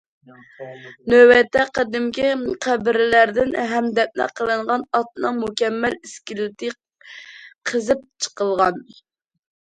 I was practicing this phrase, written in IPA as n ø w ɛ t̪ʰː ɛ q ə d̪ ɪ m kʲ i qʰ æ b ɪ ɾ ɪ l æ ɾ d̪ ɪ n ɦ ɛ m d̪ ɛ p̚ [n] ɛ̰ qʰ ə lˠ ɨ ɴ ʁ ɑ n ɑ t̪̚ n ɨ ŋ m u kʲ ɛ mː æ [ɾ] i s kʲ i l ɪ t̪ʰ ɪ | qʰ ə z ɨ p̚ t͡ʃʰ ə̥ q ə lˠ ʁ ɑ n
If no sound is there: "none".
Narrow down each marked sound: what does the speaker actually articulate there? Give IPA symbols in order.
n, l

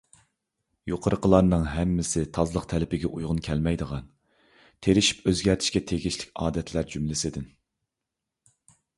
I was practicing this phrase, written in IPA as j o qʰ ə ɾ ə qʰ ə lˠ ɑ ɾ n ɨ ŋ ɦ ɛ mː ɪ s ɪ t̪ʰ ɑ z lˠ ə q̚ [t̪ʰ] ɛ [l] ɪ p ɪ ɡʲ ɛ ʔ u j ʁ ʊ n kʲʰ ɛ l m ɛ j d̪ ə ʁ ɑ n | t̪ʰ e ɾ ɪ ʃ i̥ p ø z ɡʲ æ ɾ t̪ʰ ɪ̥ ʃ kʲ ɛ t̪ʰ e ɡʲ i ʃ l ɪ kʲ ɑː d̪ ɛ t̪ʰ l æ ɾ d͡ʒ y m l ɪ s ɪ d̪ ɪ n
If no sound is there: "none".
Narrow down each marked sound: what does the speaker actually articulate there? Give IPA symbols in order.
t̪ʰ, l

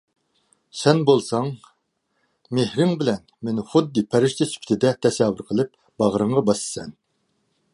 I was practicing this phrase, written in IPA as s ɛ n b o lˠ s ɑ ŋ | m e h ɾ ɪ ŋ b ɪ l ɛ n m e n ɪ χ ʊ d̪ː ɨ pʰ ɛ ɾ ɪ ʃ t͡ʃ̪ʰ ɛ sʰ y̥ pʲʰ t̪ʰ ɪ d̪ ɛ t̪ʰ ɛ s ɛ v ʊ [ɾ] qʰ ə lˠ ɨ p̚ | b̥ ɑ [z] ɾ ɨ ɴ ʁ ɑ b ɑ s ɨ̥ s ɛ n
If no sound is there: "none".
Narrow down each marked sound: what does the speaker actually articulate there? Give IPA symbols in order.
ɾ, ʁ

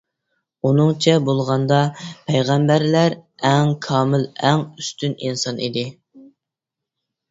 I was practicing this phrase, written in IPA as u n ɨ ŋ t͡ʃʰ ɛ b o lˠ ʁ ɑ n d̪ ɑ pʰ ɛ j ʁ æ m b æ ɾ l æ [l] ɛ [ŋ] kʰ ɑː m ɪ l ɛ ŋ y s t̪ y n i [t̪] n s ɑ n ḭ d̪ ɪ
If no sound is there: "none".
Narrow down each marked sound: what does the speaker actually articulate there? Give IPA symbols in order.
ɾ, ŋ, none

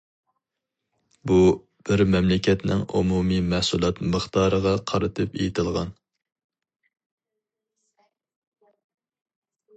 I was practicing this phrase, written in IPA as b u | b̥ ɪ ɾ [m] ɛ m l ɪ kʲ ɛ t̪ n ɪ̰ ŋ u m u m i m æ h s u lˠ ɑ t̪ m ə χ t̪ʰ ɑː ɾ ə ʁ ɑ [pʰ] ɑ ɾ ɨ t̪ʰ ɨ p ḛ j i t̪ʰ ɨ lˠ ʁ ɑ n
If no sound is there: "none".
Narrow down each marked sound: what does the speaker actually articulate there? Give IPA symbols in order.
m, qʰ

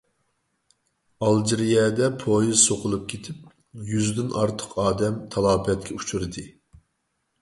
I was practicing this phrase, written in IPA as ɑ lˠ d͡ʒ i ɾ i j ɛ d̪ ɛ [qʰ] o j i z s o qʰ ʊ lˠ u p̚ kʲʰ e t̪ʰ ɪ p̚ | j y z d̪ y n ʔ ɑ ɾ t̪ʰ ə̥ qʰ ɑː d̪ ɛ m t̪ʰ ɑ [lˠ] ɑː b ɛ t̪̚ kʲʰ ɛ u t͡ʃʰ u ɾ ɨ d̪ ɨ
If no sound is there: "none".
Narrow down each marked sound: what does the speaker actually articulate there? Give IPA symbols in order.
pʰ, lˠ

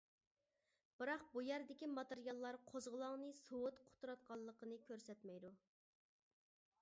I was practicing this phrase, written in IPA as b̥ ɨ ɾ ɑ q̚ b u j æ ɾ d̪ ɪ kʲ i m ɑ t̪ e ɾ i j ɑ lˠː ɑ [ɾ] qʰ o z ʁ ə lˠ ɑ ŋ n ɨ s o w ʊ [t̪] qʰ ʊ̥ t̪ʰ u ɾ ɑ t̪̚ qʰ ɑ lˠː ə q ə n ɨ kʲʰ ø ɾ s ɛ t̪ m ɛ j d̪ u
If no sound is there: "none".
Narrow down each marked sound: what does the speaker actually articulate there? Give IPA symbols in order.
ɾ, t̪

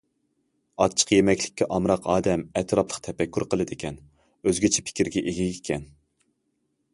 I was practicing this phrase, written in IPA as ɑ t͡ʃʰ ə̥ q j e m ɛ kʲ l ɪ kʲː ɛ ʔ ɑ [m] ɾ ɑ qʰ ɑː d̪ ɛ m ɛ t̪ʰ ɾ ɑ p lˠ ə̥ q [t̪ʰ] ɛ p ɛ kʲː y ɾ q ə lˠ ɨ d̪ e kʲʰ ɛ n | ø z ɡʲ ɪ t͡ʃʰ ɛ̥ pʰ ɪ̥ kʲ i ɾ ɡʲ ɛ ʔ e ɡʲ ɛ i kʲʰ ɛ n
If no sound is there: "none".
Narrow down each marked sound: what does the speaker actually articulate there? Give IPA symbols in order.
m, t̪ʰ

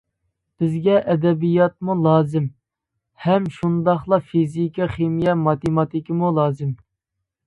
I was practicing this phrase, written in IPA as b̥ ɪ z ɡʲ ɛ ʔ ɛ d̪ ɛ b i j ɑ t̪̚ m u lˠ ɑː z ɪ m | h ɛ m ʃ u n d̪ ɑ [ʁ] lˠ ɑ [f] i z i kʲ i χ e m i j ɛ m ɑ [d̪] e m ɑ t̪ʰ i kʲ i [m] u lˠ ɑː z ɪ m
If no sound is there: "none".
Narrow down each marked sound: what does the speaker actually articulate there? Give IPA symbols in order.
χ, f, t̪, m

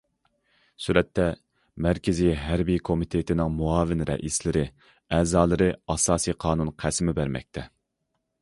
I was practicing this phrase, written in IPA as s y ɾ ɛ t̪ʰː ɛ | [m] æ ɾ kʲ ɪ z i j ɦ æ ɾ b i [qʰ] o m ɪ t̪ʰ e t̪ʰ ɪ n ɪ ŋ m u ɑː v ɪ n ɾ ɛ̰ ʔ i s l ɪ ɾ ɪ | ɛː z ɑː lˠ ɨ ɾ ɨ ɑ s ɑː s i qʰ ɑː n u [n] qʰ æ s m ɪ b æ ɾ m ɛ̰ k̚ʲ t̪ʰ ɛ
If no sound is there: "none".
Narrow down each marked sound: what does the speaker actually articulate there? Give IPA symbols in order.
m, kʰ, n

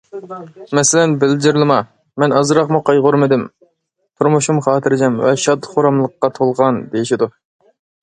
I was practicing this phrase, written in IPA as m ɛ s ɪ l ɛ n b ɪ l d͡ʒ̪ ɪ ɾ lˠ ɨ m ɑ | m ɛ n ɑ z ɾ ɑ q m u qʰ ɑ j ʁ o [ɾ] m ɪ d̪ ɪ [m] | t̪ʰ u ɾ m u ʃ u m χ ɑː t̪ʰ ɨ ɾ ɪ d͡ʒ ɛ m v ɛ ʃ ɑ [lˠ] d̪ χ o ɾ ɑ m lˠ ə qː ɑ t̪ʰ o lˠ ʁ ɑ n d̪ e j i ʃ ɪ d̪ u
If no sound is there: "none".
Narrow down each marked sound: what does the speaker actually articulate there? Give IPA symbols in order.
ɾ, m, none

